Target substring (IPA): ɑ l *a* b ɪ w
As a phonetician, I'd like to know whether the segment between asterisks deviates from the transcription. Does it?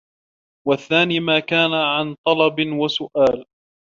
yes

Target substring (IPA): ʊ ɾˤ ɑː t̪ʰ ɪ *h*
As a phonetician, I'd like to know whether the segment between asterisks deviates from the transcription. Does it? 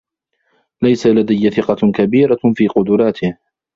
no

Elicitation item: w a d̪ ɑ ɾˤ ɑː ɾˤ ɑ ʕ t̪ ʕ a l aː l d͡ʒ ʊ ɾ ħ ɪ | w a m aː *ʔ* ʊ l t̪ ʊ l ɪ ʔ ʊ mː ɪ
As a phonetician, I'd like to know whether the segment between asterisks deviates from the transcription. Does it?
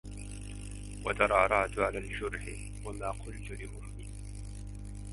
yes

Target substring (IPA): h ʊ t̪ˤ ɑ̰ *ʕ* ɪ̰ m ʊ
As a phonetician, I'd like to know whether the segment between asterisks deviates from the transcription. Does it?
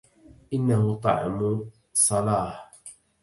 no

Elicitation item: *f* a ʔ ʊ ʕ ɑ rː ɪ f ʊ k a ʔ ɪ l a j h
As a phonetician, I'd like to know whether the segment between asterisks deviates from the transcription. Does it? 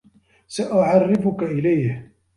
yes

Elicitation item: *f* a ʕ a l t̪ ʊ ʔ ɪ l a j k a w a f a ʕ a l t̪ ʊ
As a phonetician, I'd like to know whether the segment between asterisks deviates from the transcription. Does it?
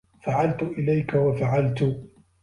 no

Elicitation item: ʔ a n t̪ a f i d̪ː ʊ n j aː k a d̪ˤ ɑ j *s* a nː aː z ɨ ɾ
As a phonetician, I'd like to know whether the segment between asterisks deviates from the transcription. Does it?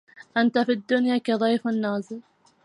yes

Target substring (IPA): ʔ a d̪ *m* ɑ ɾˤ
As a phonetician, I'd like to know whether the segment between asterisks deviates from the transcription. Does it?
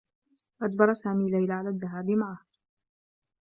yes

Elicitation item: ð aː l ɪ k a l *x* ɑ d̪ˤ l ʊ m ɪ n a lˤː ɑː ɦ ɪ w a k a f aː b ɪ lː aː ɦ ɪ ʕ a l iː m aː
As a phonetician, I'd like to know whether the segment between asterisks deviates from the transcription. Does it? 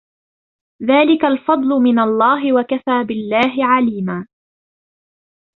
yes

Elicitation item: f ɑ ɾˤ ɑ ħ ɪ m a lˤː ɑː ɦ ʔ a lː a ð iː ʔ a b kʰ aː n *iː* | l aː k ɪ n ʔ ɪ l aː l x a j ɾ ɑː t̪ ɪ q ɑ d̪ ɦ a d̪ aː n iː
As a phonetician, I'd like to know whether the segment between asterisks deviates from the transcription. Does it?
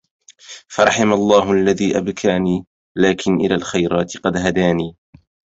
no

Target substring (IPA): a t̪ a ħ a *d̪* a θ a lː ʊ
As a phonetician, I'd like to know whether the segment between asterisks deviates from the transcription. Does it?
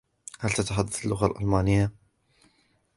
yes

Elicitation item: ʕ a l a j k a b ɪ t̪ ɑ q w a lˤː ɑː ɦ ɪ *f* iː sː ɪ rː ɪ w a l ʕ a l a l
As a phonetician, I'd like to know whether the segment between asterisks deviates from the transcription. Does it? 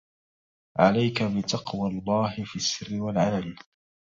no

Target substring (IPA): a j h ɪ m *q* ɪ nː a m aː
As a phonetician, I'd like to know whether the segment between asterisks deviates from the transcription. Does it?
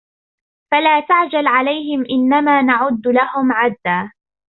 yes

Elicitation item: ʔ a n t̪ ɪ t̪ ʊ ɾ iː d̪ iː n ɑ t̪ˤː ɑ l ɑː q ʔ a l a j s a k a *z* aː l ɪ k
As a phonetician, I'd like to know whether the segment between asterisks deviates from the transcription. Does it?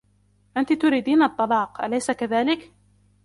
yes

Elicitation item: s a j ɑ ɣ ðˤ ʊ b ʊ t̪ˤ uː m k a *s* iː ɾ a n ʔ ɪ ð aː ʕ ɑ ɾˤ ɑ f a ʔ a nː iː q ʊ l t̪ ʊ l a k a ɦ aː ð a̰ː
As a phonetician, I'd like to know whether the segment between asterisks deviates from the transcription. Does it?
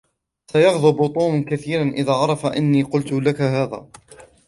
yes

